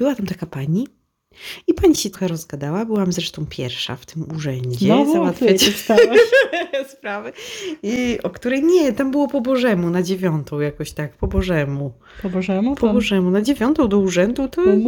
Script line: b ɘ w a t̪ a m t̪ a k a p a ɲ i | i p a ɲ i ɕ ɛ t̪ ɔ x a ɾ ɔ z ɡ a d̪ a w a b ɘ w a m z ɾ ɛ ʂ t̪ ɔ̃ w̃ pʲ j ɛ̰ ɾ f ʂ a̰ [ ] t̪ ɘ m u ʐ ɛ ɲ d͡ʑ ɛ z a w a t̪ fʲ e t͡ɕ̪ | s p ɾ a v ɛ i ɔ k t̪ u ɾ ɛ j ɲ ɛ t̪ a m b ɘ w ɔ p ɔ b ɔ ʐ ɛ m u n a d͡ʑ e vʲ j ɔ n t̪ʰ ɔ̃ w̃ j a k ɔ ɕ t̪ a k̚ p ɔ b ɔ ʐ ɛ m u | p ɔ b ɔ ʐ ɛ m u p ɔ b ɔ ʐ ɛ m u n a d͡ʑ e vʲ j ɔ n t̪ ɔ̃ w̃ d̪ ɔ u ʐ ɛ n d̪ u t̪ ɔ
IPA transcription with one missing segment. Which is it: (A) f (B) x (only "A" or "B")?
A